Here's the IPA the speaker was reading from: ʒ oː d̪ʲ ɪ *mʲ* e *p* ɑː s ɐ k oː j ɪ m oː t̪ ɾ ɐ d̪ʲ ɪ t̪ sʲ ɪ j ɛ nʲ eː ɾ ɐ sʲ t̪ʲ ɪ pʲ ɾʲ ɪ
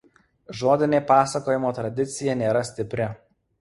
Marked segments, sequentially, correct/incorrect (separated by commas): incorrect, correct